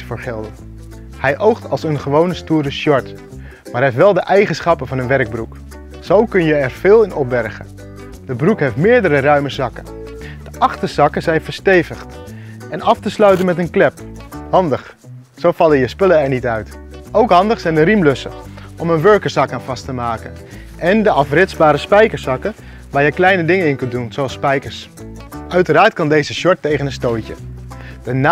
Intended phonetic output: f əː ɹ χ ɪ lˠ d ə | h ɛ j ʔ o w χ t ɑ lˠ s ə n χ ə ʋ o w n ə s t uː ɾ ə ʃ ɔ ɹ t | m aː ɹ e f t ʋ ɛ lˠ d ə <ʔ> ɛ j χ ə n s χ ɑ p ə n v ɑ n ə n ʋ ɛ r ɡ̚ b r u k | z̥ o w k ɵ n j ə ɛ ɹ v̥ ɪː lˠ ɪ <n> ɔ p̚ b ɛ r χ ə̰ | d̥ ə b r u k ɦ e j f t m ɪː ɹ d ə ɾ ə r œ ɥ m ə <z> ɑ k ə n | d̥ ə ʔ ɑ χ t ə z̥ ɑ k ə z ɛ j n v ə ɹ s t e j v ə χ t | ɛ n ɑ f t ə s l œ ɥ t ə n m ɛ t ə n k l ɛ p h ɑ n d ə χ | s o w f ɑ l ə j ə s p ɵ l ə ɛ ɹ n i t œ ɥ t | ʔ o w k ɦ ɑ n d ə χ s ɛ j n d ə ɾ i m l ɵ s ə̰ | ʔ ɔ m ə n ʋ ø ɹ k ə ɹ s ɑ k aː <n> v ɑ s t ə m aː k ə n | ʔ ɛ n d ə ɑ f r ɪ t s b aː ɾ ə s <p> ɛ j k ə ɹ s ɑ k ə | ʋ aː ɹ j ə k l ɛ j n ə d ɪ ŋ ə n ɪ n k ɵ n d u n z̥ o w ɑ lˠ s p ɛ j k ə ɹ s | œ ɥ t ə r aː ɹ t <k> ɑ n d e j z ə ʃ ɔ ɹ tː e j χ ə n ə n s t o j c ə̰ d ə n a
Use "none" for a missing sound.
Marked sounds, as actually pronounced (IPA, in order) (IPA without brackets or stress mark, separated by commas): ʔ, n, z, n, p, k